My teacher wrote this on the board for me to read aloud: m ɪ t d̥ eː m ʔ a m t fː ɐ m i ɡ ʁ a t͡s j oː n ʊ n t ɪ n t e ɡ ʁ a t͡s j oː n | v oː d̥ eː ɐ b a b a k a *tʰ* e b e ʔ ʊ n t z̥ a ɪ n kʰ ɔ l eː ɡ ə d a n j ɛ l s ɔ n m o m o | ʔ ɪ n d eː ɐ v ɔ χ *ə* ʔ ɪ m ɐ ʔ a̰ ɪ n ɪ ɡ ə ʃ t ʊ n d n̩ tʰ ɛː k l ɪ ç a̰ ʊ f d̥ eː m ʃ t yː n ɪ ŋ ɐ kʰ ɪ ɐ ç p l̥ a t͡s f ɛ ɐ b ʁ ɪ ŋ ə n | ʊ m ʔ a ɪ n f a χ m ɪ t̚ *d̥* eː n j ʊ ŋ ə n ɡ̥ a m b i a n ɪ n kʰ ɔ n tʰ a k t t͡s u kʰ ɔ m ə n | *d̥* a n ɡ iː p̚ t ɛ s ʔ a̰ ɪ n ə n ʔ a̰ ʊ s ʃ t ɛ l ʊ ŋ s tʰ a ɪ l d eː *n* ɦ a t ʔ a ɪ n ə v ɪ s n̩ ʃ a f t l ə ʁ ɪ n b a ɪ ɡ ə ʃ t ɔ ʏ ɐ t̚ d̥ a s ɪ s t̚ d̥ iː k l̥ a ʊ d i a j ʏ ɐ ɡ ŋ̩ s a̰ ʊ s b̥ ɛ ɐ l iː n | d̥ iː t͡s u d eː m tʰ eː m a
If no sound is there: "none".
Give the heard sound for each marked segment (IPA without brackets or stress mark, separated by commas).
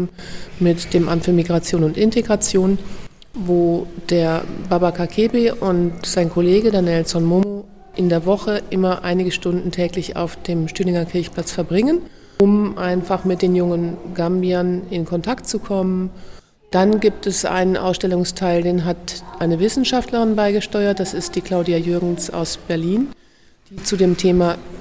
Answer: kʰ, ə, d̥, d̥, n